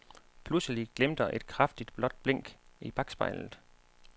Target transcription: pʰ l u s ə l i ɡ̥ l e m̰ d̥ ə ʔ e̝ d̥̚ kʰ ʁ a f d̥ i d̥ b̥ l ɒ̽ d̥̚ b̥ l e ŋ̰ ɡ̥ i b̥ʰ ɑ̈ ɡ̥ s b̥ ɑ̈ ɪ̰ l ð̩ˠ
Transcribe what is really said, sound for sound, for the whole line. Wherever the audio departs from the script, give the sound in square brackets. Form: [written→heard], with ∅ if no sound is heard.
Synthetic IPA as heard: pʰ l u s ə l i ɡ̥ l e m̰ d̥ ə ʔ e̝ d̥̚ kʰ ʁ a f d̥ i d̥ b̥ l ɒ̽ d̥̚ b̥ l e ŋ̰ ɡ̥ i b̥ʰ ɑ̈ ɡ̥ s b̥ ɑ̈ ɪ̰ l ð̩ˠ